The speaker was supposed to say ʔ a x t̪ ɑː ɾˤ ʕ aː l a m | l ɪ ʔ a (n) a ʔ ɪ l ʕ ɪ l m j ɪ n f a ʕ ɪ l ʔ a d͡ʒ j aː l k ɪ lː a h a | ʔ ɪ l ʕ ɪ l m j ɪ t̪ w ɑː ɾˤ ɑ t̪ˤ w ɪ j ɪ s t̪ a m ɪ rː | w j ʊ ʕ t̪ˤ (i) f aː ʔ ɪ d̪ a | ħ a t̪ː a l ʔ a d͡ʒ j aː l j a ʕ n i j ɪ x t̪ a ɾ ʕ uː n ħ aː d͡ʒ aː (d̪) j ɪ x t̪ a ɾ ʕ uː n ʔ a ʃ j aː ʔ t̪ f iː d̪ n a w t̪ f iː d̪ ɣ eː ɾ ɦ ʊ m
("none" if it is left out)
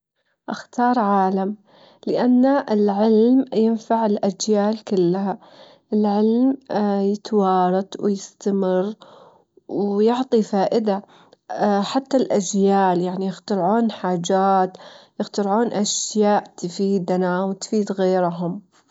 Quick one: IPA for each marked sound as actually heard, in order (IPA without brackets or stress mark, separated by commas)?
nː, i, t̪